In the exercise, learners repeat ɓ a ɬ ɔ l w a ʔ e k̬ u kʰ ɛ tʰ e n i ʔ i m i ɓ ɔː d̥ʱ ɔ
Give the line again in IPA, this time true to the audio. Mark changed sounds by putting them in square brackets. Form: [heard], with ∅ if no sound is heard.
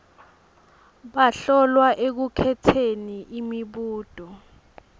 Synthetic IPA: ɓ a ɬ ɔ l w a ʔ e k̬ u kʰ ɛ tʰ e n i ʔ i m i ɓ [uː] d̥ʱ ɔ